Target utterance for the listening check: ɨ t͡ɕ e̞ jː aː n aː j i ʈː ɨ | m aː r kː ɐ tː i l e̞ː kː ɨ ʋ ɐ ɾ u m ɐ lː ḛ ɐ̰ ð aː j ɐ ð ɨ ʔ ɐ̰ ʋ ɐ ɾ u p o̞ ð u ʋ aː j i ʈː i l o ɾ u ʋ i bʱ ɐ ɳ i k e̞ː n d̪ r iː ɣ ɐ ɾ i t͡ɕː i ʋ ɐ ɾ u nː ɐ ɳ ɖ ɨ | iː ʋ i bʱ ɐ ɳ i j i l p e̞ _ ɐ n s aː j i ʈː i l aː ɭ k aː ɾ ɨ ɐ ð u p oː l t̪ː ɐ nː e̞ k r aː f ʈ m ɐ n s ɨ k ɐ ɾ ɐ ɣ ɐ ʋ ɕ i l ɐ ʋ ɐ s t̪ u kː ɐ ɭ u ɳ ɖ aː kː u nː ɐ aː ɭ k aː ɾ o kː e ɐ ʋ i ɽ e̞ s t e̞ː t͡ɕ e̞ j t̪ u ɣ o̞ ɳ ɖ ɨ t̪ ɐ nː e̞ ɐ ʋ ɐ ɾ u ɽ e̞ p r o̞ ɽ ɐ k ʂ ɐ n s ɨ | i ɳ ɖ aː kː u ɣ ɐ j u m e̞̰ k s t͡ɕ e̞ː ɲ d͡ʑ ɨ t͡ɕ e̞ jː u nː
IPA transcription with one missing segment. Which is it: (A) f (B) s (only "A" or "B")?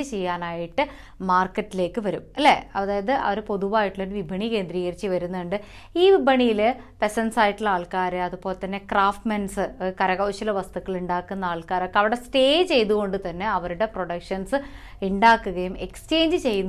B